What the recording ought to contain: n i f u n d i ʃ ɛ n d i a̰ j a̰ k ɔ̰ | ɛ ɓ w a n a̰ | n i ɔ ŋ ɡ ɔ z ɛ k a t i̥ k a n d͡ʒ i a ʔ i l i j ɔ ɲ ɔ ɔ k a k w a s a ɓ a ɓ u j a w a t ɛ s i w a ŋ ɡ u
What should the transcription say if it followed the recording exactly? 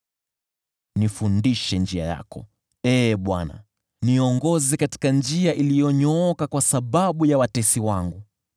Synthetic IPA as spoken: n i f u n d i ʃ ɛ n d͡ʒ i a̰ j a̰ k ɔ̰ | ɛ ɓ w a n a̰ | n i ɔ ŋ ɡ ɔ z ɛ k a t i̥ k a n d͡ʒ i a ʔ i l i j ɔ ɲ ɔ ɔ k a k w a s a ɓ a ɓ u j a w a t ɛ s i w a ŋ ɡ u